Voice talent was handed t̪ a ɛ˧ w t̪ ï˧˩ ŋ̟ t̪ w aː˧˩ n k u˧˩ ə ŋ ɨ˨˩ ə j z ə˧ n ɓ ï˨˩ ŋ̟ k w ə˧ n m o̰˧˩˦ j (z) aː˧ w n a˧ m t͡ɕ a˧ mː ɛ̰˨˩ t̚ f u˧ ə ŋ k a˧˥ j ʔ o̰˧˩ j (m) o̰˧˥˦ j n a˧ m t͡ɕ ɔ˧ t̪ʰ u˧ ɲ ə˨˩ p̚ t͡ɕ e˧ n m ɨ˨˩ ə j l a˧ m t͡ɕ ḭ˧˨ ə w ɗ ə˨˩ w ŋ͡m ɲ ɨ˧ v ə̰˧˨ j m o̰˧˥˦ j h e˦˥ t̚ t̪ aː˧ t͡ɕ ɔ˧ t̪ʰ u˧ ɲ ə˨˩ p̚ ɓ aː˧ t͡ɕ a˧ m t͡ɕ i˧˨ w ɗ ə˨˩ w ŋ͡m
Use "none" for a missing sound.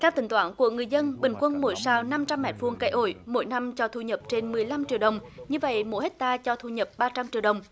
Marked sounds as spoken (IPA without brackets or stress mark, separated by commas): s, m